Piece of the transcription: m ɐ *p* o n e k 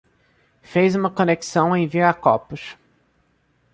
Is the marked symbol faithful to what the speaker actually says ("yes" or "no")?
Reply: no